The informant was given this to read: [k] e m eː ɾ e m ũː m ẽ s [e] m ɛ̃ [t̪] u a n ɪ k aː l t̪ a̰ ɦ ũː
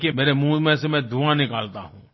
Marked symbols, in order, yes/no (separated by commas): yes, yes, no